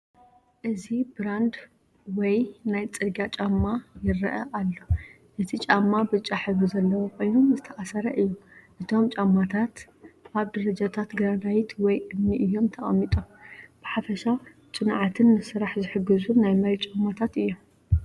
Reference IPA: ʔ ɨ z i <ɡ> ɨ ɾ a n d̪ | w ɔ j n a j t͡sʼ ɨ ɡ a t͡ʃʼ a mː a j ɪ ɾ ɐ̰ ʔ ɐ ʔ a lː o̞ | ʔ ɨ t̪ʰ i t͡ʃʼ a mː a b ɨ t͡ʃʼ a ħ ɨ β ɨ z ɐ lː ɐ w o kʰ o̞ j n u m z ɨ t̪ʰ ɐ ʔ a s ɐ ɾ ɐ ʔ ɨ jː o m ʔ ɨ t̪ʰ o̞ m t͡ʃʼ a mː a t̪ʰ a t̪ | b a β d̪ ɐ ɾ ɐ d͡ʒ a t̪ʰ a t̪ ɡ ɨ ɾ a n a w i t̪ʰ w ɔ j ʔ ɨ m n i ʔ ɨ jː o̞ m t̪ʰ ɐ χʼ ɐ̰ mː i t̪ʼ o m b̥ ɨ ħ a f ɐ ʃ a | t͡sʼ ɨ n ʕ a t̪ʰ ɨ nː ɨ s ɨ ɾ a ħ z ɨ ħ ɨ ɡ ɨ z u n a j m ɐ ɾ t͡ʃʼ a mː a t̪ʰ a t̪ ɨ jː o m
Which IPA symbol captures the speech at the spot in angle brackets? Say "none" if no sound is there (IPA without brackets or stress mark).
b